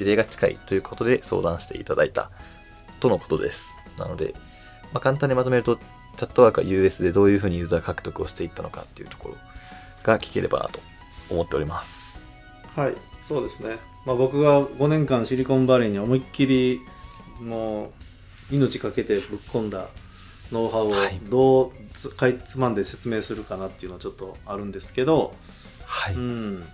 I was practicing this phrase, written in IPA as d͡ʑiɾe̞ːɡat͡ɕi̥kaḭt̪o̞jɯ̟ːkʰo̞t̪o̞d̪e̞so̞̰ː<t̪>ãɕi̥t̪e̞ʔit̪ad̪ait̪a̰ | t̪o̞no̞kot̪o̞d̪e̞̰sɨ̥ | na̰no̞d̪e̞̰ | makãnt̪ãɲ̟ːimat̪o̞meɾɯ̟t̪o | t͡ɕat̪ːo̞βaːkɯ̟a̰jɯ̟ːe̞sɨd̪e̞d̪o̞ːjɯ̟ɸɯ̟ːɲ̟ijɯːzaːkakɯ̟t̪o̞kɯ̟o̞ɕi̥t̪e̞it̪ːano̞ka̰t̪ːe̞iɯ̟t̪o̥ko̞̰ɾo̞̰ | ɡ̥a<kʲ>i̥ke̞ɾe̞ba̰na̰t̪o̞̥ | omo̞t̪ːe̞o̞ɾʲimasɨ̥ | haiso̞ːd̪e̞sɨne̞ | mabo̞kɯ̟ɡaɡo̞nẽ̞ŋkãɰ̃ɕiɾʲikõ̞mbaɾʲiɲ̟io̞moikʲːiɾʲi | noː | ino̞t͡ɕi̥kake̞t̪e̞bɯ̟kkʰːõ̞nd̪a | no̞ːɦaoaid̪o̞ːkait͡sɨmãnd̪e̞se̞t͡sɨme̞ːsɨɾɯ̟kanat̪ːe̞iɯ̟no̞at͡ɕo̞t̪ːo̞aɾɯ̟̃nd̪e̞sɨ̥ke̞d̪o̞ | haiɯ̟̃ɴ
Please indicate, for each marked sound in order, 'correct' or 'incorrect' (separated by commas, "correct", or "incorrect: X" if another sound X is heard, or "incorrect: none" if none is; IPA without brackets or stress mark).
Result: incorrect: d̪, correct